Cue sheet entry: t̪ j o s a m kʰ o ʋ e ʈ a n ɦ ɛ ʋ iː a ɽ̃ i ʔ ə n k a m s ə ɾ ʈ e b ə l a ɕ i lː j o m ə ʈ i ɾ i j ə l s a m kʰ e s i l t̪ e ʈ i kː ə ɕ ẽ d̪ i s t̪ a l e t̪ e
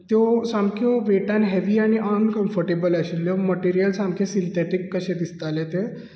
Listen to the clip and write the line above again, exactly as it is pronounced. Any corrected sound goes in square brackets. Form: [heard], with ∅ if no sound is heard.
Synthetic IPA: t̪ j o s a m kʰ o ʋ e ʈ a n ɦ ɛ ʋ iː a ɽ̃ i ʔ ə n k [ə] m [f] ə ɾ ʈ e b ə l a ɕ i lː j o m ə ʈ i ɾ i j ə l s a m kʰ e s i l t̪ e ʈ i kː ə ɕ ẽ d̪ i s t̪ a l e t̪ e